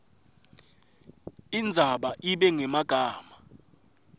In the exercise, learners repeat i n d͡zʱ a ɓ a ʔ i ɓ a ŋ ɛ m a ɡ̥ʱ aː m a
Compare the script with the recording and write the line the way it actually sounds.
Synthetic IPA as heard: i n d͡zʱ a ɓ a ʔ i ɓ ɛ ŋ ɛ m a ɡ̥ʱ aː m a